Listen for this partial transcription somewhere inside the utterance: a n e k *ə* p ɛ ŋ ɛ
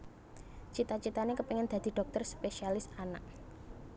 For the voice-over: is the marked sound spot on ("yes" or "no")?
yes